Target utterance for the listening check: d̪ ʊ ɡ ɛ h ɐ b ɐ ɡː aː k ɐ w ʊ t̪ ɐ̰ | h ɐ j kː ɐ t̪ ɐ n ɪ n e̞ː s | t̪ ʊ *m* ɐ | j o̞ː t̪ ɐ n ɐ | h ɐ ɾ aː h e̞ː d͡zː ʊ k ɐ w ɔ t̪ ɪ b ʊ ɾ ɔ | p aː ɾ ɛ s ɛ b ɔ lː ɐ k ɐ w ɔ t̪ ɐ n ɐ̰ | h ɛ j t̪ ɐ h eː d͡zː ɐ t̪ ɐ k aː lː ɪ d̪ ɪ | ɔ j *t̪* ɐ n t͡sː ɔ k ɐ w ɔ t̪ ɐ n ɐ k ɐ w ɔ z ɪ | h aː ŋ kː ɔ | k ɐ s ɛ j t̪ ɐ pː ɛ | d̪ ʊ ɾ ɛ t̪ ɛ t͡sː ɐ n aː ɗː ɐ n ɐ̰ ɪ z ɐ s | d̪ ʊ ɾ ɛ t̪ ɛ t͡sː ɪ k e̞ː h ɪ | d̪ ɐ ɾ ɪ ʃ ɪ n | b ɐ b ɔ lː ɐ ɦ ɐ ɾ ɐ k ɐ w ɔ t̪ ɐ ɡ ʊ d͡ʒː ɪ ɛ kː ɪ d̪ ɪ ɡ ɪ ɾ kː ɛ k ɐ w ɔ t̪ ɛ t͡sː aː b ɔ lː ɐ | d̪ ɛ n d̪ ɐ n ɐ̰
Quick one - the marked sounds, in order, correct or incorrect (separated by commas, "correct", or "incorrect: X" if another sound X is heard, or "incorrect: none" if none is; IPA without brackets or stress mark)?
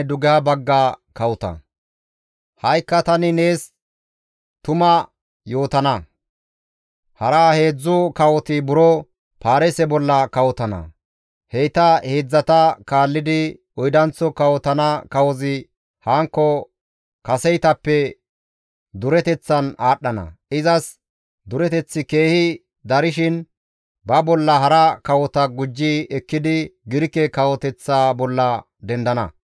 correct, incorrect: d̪